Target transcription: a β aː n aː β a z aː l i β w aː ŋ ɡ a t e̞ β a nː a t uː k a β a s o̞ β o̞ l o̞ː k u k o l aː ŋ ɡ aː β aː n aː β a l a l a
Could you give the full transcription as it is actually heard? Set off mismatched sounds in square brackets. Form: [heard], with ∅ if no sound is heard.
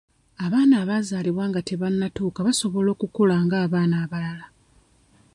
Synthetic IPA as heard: a β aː n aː β a z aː l i β w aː ŋ ɡ a t e̞ β a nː a t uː k a β a s o̞ β o̞ l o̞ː k u k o l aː ŋ ɡ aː β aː n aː β a l a l a